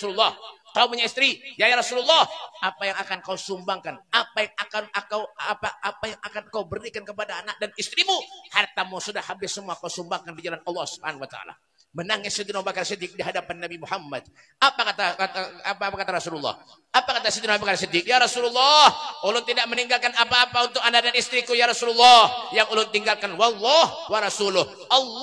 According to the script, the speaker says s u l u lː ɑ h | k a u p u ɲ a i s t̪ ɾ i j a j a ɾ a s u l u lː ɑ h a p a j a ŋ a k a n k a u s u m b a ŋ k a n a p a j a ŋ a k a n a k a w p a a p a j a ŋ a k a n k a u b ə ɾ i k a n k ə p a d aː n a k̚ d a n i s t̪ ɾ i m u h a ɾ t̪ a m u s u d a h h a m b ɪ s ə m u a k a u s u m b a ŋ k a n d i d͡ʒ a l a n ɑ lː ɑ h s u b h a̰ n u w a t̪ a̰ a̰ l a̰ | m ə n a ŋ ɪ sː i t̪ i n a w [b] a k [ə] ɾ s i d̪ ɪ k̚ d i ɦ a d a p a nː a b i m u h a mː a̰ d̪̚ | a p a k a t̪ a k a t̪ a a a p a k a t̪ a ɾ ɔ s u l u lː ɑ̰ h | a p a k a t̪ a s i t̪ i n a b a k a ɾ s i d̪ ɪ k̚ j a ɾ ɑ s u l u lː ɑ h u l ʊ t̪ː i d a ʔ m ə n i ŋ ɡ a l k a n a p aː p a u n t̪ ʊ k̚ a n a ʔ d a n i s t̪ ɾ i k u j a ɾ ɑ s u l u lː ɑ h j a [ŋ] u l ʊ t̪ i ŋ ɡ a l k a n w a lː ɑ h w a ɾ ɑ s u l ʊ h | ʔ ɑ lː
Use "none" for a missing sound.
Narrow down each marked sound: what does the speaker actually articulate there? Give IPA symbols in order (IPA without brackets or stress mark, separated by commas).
b, a, ŋ